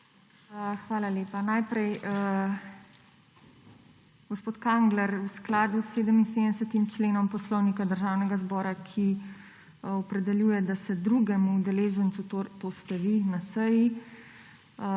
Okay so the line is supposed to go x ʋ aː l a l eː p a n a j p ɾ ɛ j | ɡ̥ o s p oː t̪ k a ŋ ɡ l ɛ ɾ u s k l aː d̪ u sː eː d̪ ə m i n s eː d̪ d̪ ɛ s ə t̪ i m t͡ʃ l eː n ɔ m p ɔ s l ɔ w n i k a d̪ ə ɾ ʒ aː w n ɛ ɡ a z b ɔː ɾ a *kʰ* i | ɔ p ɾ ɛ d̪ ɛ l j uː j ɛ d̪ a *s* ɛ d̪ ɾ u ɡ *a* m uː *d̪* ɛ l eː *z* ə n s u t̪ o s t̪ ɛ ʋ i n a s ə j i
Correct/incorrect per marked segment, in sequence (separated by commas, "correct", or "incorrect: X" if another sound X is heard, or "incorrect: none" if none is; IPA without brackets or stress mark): correct, correct, incorrect: ɛ, correct, incorrect: ʒ